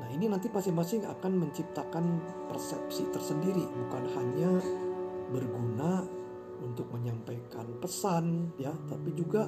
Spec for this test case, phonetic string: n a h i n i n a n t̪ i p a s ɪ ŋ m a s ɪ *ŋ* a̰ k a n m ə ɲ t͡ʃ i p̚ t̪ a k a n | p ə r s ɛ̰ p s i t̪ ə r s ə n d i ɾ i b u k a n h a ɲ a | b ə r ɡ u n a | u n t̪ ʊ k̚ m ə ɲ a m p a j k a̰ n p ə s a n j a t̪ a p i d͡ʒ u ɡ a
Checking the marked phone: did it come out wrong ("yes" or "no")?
no